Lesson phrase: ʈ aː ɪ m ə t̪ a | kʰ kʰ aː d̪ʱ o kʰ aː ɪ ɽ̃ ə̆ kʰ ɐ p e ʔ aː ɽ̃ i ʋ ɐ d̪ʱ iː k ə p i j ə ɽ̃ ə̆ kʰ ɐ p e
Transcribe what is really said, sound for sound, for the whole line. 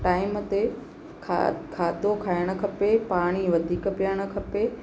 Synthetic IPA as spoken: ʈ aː ɪ m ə t̪ e | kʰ kʰ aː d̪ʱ o kʰ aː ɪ ɽ̃ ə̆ kʰ ɐ p e p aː ɽ̃ i ʋ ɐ d̪ʱ iː k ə p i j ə ɽ̃ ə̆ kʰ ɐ p e

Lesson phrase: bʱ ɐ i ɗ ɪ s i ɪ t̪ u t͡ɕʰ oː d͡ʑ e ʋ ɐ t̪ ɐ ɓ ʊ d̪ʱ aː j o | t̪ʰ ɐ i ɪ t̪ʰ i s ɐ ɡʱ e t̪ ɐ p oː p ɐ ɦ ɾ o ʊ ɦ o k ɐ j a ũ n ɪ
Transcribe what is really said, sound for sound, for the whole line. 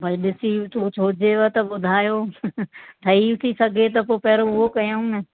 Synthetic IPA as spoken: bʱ ɐ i ɗ ɪ s i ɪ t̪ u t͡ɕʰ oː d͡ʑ e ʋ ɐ t̪ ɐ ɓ ʊ d̪ʱ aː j o | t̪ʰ ɐ i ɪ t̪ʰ i s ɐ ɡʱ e t̪ ɐ p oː p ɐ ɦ ɾ o ʊ ɦ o k ɐ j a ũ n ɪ

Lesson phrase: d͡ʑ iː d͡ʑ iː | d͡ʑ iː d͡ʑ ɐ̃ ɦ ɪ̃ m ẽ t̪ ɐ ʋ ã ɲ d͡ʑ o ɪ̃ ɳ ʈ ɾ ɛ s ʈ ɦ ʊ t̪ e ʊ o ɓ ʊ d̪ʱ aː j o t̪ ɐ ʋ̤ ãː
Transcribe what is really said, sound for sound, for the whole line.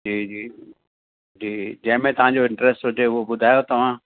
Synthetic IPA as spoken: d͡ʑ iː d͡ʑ iː | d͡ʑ iː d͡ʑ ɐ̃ ɦ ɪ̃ m ẽ t̪ ɐ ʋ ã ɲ d͡ʑ o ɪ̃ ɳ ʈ ɾ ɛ s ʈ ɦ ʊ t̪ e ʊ o b ʊ d̪ʱ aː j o t̪ ɐ ʋ̤ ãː

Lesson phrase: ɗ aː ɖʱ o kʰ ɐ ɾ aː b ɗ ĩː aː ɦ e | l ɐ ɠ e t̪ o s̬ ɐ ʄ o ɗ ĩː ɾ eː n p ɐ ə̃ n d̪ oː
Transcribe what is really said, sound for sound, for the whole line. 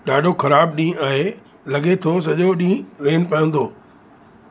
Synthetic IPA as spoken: ɗ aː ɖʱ o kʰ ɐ ɾ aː b ɗ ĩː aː ɦ e | l ɐ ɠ e t̪ʰ o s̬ ɐ ʄ o ɗ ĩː ɾ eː n p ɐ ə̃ n d̪ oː

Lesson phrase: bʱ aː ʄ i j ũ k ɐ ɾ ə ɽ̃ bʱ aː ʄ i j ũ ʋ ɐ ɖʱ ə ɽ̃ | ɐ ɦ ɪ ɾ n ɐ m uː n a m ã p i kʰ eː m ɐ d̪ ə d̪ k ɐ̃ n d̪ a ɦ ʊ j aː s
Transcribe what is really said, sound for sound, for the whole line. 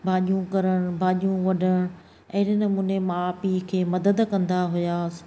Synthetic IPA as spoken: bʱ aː ʄ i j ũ k ɐ ɾ ə ɽ̃ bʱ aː ʄ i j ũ ʋ ɐ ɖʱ ə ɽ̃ | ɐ ɦ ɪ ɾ n ɐ m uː n e m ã p i kʰ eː m ɐ d̪ ə d̪ k ɐ̃ n d̪ a ɦ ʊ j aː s

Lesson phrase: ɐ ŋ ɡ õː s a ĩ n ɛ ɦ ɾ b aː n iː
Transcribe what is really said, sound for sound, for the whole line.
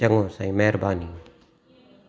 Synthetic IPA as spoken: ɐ ŋ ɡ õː s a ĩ m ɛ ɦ ɾ b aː n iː

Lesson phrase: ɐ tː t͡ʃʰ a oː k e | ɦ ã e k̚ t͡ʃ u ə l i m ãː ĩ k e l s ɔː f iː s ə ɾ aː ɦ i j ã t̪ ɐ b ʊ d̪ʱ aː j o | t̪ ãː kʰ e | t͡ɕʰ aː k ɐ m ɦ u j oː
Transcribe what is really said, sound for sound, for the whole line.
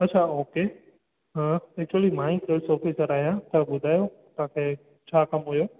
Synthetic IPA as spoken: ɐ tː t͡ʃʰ a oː k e | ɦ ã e k̚ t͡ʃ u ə l i m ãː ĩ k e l s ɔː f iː s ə ɾ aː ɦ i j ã t̪ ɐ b ʊ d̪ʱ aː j o | t̪ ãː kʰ e | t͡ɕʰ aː k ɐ m ɦ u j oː

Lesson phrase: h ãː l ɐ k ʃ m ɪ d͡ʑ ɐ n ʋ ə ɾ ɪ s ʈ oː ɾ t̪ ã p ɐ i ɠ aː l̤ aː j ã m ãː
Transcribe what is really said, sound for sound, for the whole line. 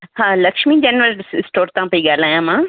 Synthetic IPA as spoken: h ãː l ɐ k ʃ m i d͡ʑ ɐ n ʋ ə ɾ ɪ s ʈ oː ɾ t̪ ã p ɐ i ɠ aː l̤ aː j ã m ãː

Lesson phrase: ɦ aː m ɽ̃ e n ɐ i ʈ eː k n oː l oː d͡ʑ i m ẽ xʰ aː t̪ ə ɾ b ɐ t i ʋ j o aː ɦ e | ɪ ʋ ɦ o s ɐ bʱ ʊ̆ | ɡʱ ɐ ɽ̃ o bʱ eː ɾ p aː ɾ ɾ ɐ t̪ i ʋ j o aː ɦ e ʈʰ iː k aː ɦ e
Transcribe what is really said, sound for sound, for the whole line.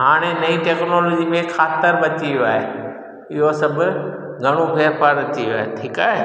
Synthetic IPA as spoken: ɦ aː ɽ̃ e n ɐ i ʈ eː k n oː l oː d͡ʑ i m ẽ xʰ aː t̪ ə ɾ b ɐ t i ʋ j o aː ɦ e | ɪ ɦ o s ɐ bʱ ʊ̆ | ɡʱ ɐ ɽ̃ o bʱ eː ɾ p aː ɾ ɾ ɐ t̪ i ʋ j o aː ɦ e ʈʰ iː k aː ɦ e

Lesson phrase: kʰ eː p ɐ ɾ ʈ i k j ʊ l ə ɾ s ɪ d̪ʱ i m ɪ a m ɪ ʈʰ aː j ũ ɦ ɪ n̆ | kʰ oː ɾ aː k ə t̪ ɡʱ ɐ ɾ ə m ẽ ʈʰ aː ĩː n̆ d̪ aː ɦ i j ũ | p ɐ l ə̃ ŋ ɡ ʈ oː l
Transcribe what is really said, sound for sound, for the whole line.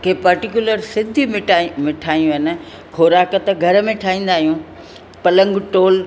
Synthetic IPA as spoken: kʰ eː p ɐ ɾ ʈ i k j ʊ l ə ɾ s ɪ d̪ʱ i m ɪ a m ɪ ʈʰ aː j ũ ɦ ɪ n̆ | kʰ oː ɾ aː k ə t̪ ɡʱ ɐ ɾ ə m ẽ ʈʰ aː ĩː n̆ d̪ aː ɦ i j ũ | p ɐ l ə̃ ŋ ɡ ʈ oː l

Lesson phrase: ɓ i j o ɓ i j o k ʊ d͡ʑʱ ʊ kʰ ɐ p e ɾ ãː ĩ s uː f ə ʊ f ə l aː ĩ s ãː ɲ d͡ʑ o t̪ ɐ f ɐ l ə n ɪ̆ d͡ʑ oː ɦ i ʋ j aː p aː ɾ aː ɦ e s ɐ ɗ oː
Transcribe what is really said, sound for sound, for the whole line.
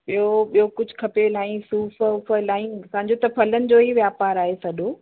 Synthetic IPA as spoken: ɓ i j o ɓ i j o k ʊ d͡ʑʱ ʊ kʰ ɐ p e l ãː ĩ s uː f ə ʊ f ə l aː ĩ s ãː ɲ d͡ʑ o t̪ ɐ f ɐ l ə n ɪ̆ d͡ʑ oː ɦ i ʋ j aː p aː ɾ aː ɦ e s ɐ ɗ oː

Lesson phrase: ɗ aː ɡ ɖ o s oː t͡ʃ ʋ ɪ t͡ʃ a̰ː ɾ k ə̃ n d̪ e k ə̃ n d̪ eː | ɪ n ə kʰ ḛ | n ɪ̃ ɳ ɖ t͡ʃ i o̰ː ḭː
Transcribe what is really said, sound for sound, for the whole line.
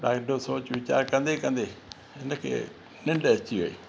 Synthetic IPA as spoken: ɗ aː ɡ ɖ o s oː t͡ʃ ʋ ɪ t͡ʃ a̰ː ɾ k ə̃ n d̪ e k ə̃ n d̪ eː | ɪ n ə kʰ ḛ | n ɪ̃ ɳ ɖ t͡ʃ i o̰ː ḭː

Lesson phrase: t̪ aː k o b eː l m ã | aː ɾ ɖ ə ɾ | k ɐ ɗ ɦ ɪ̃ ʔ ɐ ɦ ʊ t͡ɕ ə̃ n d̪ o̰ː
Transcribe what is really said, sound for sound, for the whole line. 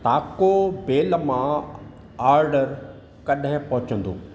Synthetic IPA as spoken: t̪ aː k o b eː l m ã | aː ɾ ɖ ə ɾ | k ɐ ɗ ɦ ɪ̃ p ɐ ɦ ʊ t͡ɕ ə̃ n d̪ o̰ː

